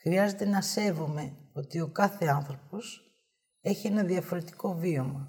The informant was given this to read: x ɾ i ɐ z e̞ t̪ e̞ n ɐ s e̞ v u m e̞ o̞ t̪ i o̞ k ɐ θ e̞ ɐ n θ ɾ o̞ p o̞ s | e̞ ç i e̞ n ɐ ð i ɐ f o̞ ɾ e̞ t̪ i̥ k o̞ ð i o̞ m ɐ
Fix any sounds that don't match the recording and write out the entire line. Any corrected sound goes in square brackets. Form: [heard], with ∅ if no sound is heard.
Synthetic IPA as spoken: x ɾ i ɐ z e̞ t̪ e̞ n ɐ s e̞ v u m e̞ o̞ t̪ i o̞ k ɐ θ e̞ ɐ n θ ɾ o̞ p o̞ s | e̞ ç i e̞ n ɐ ð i ɐ f o̞ ɾ e̞ t̪ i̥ k o̞ [v] i o̞ m ɐ